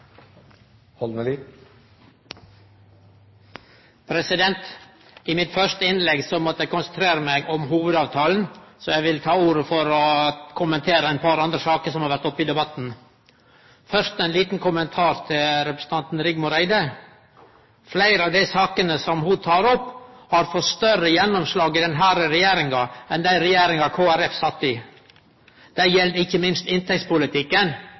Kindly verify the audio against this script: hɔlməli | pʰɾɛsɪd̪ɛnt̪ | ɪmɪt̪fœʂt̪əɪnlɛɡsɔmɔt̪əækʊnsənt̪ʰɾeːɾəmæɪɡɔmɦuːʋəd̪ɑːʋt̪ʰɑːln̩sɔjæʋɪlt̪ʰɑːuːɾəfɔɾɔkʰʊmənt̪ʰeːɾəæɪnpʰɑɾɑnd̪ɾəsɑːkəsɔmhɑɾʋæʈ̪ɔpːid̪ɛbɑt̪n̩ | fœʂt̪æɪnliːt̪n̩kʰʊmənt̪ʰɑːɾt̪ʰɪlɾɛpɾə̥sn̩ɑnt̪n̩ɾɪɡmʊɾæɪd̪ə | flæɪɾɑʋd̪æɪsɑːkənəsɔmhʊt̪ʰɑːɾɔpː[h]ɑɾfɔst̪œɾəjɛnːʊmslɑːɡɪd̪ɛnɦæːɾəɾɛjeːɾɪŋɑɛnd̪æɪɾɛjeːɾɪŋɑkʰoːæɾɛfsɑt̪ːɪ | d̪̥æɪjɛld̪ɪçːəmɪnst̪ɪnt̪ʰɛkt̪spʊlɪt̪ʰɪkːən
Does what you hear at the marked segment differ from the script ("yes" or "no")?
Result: no